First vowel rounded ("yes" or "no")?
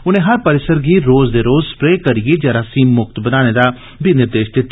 yes